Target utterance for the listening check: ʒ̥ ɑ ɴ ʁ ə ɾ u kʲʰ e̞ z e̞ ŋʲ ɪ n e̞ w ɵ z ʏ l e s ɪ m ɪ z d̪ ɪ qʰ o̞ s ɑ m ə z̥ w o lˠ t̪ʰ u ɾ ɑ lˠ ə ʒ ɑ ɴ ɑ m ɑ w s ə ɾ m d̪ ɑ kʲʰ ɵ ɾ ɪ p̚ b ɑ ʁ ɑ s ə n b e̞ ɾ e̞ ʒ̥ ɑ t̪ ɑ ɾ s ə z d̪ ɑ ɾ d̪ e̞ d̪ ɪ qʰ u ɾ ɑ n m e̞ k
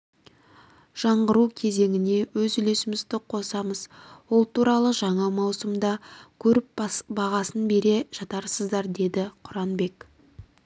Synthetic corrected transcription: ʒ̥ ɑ ɴ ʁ ə ɾ u kʲʰ e̞ z e̞ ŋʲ ɪ n e̞ w ɵ z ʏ l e s ɪ m ɪ z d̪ ɪ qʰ o̞ s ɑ m ə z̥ w o lˠ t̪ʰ u ɾ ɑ lˠ ə ʒ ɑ ɴ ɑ m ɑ w s ə m d̪ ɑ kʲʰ ɵ ɾ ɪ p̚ b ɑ ʁ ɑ s ə n b e̞ ɾ e̞ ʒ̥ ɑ t̪ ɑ ɾ s ə z d̪ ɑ ɾ d̪ e̞ d̪ ɪ qʰ ʊ ɾ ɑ n b e̞ k